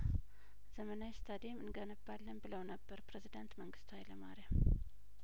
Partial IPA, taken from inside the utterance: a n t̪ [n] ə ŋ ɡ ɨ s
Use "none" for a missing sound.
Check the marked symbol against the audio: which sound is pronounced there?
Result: m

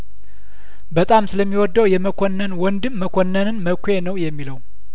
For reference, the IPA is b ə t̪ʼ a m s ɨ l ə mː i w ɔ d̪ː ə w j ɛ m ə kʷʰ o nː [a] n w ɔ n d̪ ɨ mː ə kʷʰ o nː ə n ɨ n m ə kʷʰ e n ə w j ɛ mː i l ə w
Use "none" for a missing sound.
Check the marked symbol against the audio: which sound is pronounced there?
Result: ə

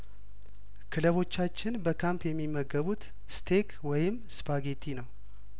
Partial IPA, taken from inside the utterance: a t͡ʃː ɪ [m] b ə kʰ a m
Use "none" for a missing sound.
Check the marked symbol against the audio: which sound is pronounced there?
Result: n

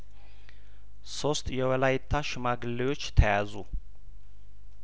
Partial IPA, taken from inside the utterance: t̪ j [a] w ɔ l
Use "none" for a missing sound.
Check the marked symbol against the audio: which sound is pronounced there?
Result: ɛ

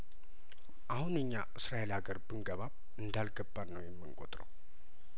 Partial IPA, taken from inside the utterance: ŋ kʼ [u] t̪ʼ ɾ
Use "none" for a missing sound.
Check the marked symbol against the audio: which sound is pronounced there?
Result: o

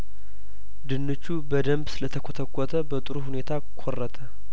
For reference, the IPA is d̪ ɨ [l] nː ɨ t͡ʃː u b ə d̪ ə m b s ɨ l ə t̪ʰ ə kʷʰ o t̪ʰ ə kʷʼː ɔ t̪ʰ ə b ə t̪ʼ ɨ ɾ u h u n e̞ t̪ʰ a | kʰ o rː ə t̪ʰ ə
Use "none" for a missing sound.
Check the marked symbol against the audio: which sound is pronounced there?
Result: none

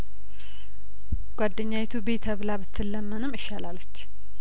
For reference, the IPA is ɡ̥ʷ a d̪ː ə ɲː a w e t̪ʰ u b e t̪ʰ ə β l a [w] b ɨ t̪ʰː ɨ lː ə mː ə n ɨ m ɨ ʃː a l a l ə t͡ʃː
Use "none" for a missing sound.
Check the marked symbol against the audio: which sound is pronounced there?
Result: none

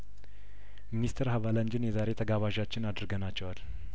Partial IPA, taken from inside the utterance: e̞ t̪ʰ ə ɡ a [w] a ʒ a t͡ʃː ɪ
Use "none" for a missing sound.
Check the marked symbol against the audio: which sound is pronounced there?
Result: β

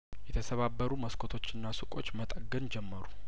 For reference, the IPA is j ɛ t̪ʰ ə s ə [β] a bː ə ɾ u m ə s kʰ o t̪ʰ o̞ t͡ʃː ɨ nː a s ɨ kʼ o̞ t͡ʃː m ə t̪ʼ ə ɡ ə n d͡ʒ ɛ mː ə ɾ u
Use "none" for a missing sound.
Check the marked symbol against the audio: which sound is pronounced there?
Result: β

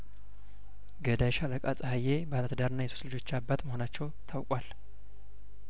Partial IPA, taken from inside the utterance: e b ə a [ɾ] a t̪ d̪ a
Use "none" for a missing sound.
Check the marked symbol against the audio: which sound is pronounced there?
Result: l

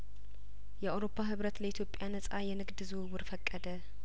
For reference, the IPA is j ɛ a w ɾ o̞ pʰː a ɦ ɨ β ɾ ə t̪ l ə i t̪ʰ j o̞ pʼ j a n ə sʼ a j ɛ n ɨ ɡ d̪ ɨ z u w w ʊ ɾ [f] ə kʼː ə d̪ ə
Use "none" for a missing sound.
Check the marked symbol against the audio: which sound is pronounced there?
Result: f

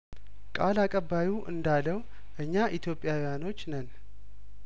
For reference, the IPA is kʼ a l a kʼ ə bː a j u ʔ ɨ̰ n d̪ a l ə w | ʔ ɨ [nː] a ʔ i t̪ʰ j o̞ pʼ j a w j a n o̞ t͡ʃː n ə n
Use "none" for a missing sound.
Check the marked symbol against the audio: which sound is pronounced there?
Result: ɲː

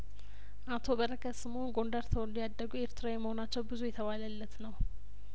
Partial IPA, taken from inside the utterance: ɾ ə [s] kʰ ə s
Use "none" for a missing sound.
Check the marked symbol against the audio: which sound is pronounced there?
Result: none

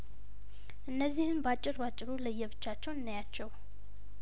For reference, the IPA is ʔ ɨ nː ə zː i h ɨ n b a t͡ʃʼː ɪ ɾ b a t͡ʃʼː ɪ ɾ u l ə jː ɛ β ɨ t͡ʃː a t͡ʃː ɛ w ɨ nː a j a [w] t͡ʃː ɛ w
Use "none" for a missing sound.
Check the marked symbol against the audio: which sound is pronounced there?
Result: none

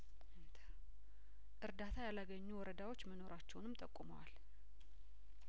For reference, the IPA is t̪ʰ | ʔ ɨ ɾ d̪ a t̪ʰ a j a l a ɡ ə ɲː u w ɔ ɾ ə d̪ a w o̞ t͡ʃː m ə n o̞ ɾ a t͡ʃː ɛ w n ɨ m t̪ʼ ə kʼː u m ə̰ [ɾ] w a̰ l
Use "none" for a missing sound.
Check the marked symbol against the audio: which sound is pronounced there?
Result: none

